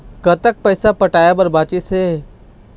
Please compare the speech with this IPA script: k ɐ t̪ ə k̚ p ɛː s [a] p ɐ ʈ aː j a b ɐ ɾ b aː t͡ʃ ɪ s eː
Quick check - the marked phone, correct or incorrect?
correct